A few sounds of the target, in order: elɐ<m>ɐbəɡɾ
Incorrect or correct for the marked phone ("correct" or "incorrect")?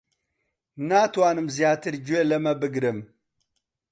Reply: correct